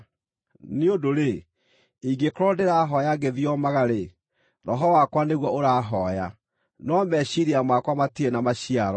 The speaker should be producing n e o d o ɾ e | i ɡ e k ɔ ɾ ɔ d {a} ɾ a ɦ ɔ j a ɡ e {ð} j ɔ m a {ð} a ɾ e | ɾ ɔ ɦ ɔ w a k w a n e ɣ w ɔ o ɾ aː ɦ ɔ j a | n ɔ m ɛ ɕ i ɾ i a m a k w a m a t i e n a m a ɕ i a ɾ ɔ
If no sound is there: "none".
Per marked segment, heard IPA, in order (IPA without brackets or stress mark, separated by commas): e, ð, ɣ